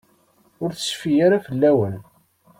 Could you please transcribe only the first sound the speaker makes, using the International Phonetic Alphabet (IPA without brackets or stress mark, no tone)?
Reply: ʊ